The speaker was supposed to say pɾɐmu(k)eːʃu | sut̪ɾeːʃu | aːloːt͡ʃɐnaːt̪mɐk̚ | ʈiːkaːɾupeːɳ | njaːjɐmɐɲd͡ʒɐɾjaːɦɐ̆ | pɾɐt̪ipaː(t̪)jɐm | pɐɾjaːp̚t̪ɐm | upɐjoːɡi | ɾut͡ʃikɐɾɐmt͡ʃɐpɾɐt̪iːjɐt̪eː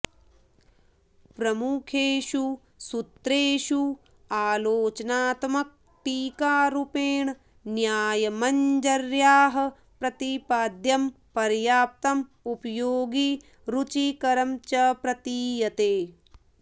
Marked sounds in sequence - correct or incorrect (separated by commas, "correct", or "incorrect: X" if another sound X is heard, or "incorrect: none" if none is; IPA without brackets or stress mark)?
incorrect: kʰ, incorrect: d̪